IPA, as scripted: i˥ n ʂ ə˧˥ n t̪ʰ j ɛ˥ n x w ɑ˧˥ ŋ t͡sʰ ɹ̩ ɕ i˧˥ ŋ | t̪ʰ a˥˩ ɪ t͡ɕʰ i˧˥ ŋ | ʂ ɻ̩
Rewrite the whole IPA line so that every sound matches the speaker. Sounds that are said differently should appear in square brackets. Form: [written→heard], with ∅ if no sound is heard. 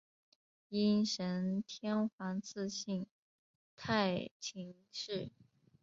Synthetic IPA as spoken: i˥ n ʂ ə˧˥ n t̪ʰ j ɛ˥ n x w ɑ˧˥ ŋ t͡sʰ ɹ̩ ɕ [i˧˥→i˥˩] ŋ | t̪ʰ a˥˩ ɪ t͡ɕʰ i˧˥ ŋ | ʂ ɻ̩